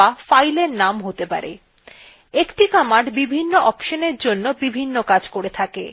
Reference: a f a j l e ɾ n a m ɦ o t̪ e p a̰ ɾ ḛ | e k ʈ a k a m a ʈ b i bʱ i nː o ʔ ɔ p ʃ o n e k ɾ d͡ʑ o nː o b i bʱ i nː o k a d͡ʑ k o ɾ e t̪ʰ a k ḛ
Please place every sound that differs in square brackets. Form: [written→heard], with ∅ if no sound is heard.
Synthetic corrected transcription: a f a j l e ɾ n a m ɦ o t̪ e p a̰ ɾ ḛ | e k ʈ [a→i] k a m a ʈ b i bʱ i nː o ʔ ɔ p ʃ o n e [k→∅] ɾ d͡ʑ o nː o b i bʱ i nː o k a d͡ʑ k o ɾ e t̪ʰ a k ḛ